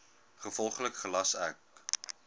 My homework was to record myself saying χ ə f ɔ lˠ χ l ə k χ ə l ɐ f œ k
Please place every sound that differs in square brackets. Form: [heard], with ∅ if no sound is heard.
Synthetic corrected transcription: χ ə f ɔ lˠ χ l ə k χ ə l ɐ [s] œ k